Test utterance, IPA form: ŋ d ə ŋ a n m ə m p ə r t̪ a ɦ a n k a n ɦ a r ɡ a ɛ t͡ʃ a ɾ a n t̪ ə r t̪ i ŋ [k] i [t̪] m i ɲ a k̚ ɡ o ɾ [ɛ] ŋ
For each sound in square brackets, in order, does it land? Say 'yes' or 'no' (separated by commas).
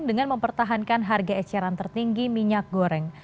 no, no, yes